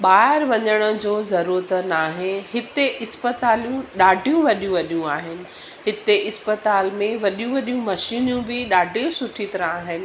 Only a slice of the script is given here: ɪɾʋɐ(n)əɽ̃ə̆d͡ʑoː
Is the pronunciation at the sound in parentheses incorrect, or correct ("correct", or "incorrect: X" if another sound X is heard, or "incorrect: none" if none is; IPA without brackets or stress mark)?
incorrect: ɲ